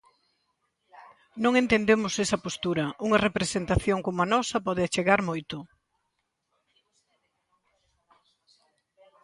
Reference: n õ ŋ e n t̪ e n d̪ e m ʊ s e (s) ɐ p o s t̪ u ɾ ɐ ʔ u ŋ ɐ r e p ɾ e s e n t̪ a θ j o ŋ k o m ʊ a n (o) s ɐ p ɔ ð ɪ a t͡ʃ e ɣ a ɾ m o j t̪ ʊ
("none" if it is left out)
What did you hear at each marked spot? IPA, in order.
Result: s, ɔ

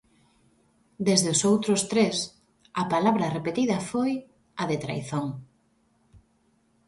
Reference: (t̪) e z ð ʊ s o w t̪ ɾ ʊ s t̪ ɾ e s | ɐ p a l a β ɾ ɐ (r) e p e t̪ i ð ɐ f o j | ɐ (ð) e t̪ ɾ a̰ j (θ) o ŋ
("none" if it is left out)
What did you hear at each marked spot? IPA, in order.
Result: d̪, r, ð, θ

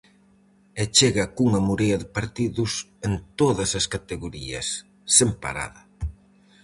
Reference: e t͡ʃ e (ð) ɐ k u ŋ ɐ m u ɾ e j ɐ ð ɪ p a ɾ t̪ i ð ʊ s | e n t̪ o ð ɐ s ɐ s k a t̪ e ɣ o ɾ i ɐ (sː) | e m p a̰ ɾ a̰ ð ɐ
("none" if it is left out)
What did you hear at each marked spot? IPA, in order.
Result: ɣ, sː

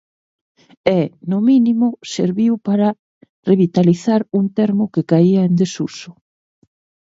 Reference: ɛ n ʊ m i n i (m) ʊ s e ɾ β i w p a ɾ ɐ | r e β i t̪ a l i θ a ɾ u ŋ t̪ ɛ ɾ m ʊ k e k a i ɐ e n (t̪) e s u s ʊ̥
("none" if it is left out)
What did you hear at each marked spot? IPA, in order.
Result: m, d̪

